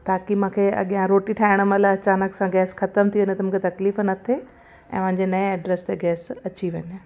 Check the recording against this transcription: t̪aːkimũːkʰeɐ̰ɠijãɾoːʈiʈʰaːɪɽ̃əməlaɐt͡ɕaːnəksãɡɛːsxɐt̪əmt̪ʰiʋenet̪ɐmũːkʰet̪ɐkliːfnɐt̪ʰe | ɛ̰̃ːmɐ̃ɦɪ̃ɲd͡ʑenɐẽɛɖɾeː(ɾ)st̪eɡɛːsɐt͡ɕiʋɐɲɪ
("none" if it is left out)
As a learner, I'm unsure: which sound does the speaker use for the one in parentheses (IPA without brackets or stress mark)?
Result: none